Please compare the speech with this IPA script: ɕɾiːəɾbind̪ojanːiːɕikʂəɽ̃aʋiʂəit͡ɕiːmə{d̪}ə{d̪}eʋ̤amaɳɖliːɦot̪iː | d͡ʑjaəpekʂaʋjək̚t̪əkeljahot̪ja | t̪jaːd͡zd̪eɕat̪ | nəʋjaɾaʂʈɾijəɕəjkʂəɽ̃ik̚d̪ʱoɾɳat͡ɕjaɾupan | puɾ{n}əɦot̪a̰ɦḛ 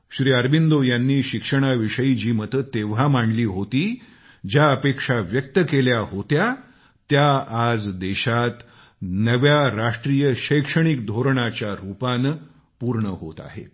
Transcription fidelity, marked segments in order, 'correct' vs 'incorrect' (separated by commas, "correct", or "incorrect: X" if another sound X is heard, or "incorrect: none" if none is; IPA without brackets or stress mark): incorrect: t̪, incorrect: t̪, incorrect: ɳ